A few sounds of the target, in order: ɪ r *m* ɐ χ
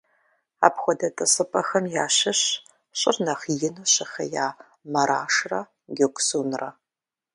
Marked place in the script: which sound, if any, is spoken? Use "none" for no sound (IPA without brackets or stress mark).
n